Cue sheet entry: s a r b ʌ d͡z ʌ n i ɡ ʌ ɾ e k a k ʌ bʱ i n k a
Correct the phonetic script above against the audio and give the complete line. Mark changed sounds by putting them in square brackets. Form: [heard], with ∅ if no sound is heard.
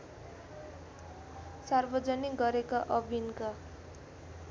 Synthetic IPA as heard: s a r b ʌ d͡z ʌ n i ɡ ʌ ɾ e k a [ʔ] ʌ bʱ i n k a